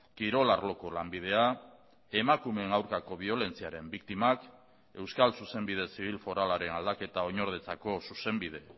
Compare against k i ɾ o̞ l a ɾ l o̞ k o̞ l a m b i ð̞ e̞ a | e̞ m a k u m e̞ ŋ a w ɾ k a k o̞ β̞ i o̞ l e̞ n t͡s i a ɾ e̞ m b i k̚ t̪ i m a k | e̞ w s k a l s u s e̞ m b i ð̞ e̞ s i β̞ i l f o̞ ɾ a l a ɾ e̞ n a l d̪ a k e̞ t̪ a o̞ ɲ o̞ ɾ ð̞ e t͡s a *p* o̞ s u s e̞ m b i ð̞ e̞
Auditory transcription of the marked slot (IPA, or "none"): k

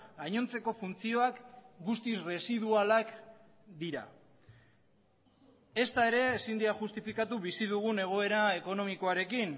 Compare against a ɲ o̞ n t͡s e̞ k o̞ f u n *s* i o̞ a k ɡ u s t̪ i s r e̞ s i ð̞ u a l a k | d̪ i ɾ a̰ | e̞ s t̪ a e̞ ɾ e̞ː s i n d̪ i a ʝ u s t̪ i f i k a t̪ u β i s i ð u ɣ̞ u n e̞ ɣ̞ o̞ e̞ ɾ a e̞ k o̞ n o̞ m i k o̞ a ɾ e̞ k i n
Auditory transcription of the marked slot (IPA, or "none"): t͡s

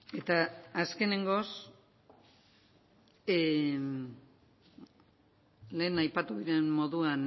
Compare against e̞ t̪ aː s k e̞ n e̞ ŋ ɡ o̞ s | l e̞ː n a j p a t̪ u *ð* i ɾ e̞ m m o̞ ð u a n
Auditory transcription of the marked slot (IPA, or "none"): ð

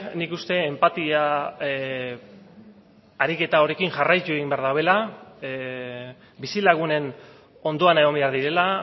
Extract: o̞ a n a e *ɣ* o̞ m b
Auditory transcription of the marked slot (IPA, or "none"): ɣ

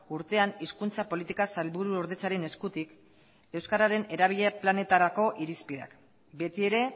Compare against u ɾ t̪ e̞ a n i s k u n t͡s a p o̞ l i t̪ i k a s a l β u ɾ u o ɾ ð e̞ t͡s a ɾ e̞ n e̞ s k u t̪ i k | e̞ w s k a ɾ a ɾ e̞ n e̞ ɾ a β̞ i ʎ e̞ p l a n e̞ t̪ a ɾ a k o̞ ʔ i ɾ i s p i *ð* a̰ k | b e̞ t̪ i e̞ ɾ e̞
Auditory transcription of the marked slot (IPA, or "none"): ð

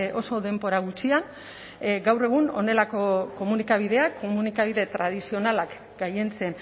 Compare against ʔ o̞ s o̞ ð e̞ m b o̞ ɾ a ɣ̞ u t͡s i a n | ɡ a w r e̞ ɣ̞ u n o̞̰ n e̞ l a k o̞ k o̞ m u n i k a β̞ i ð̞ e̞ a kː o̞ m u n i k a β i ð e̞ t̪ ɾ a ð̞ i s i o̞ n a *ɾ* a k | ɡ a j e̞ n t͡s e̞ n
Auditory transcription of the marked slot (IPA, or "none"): l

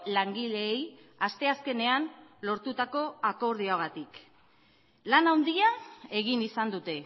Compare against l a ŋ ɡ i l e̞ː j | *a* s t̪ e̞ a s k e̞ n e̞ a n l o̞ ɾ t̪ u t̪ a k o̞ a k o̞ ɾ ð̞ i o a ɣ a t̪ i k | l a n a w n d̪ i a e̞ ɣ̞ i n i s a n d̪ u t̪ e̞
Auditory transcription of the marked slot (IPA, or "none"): a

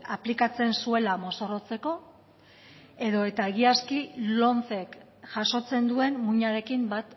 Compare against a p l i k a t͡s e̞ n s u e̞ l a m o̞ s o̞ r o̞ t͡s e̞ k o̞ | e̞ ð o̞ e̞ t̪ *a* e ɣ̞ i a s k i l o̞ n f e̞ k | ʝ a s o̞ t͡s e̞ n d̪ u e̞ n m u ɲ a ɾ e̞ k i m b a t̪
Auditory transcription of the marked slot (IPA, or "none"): a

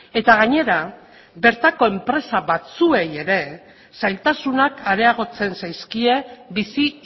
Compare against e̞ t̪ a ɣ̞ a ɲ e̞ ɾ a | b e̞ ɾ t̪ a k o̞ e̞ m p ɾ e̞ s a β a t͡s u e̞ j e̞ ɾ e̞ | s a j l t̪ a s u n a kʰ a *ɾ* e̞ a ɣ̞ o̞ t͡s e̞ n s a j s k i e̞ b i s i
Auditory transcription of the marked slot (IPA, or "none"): ɾ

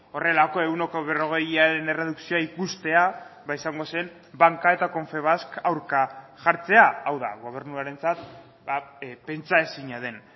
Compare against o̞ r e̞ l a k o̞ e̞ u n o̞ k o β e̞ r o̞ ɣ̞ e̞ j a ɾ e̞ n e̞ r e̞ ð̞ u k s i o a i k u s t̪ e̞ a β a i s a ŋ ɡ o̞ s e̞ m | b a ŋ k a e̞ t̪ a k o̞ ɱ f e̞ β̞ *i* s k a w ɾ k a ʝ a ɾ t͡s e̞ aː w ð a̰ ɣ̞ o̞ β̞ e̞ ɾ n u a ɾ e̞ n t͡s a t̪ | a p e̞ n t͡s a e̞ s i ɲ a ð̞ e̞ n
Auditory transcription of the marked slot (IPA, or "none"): a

